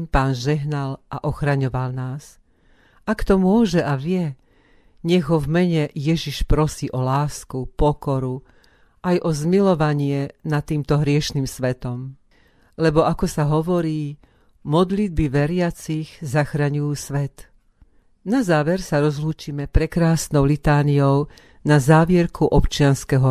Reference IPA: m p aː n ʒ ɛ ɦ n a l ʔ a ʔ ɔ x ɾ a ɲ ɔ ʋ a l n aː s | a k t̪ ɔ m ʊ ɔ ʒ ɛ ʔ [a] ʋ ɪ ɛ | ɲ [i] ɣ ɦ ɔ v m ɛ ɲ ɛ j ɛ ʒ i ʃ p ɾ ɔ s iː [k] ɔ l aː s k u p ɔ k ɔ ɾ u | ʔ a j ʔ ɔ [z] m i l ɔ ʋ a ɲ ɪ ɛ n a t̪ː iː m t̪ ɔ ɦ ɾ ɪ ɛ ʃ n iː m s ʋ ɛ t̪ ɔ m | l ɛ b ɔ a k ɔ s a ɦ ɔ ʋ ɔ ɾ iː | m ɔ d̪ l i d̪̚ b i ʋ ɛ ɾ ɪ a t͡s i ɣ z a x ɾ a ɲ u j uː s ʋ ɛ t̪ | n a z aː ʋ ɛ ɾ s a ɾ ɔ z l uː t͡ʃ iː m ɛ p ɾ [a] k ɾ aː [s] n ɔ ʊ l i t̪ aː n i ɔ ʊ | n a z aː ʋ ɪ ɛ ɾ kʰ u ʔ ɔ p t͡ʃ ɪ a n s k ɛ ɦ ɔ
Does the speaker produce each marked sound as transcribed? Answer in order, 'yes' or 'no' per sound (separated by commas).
yes, no, no, yes, no, yes